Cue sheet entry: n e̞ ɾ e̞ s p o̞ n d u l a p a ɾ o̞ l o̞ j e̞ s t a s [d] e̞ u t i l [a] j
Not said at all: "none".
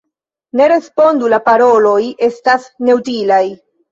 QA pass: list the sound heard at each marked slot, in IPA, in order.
n, a

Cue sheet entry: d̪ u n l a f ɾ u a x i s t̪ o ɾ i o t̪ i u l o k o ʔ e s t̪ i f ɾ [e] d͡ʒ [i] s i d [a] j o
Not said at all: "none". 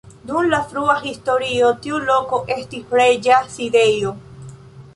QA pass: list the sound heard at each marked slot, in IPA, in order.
e, a, e

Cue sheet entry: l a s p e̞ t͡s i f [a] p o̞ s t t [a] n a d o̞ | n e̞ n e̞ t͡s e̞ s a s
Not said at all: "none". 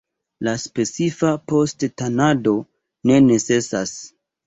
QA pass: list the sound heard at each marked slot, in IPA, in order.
a, a

